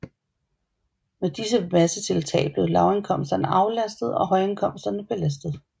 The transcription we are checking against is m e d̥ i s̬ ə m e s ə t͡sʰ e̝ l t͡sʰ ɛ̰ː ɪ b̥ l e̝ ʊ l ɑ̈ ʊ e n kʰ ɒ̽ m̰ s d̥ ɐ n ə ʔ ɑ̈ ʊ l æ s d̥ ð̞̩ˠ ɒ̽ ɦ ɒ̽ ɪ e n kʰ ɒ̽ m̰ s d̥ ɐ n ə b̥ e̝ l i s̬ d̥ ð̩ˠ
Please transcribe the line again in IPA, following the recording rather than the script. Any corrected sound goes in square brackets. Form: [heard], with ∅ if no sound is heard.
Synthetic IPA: m e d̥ i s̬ ə m [æ] s ə t͡sʰ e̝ l t͡sʰ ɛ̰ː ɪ b̥ l e̝ ʊ l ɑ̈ ʊ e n kʰ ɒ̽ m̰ s d̥ ɐ n ə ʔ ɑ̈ ʊ l æ s d̥ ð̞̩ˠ ɒ̽ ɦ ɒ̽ ɪ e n kʰ ɒ̽ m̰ s d̥ ɐ n ə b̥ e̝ l [æ] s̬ d̥ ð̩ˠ